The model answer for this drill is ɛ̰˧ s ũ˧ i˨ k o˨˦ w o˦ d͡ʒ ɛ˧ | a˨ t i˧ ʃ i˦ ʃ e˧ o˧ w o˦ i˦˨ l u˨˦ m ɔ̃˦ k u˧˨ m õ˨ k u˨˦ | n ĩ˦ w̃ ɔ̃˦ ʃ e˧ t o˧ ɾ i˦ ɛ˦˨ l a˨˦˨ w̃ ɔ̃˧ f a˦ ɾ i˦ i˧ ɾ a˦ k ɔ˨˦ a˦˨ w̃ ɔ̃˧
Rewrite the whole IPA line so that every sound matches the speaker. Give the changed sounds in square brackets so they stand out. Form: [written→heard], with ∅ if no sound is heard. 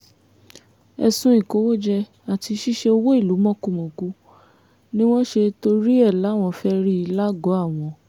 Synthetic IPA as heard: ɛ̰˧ s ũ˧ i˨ k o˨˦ w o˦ d͡ʒ ɛ˧ | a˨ t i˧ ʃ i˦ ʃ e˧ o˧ w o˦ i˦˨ l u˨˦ m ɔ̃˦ k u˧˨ m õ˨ k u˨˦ | n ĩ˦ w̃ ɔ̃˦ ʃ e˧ t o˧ ɾ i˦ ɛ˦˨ l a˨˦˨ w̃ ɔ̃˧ f [a˦→ɛ˦] ɾ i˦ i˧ [ɾ→l] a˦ [k→ɡ] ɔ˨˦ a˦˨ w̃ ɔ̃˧